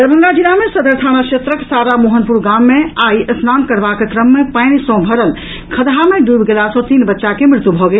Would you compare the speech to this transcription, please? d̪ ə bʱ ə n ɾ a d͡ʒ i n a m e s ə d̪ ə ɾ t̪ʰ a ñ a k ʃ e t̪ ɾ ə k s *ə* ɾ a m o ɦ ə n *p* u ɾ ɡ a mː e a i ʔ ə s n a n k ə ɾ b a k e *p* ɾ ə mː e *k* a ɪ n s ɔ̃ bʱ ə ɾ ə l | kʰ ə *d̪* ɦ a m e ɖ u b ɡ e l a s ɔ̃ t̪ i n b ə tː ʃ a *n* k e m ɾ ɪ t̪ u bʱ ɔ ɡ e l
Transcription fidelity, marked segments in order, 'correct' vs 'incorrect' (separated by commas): incorrect, correct, incorrect, incorrect, correct, incorrect